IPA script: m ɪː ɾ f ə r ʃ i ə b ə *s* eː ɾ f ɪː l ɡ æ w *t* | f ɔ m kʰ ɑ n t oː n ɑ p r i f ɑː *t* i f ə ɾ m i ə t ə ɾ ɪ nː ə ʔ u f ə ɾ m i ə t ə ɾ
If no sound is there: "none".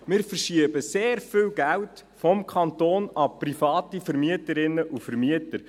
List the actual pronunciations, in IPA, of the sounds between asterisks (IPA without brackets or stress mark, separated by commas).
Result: s, t, t